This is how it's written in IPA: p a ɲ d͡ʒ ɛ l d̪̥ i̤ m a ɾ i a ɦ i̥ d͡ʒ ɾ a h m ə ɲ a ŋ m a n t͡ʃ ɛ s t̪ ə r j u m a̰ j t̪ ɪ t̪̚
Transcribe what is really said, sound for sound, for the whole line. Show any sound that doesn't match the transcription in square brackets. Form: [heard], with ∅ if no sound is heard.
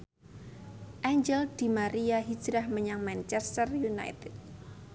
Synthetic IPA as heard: [ʔ] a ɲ d͡ʒ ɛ l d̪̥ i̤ m a ɾ i a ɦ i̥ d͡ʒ ɾ a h m ə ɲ a ŋ m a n t͡ʃ ɛ s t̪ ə r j u [n] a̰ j t̪ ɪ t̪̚